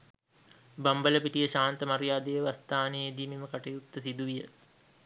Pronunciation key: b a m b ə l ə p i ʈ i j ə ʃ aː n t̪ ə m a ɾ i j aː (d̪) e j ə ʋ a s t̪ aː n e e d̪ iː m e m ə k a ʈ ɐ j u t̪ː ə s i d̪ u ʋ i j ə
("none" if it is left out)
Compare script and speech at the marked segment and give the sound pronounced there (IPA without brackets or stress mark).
d̪